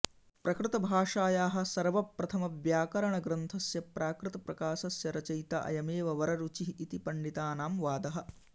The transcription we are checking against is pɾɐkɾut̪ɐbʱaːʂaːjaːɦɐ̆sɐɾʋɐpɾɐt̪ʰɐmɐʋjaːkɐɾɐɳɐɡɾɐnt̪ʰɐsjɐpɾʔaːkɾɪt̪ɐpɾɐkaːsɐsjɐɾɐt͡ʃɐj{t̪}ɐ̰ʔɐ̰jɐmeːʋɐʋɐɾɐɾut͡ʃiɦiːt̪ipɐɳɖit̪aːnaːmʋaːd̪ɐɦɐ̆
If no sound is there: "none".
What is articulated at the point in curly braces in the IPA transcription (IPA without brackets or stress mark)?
t̪